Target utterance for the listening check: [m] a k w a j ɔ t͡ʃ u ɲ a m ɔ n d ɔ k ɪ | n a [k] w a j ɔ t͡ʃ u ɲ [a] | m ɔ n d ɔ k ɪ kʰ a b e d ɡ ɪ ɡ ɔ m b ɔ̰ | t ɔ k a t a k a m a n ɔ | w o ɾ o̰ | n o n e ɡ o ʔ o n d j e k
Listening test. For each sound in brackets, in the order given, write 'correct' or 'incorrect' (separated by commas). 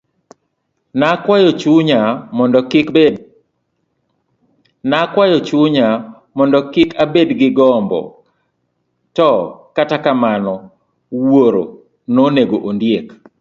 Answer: incorrect, correct, correct